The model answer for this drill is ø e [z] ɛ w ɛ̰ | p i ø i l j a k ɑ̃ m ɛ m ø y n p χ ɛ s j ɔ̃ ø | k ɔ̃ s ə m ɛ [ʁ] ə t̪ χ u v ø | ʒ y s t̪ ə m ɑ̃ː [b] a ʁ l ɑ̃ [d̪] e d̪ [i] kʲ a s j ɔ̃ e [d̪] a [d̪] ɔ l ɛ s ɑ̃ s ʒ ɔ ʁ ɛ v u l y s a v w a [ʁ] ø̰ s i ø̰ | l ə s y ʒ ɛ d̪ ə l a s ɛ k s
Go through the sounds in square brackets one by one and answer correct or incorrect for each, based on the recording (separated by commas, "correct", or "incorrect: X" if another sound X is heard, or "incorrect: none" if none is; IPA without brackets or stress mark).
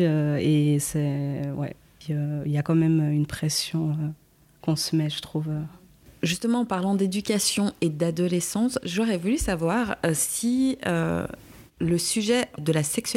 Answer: incorrect: s, incorrect: ʒ, incorrect: p, correct, incorrect: y, correct, correct, correct